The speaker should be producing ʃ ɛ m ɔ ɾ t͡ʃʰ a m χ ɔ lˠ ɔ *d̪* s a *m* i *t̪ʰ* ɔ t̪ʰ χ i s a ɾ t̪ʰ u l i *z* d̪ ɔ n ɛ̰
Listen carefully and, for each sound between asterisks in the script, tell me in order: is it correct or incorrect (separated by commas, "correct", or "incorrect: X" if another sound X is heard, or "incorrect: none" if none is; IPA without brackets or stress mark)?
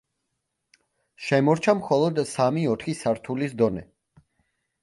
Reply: correct, correct, incorrect: none, incorrect: s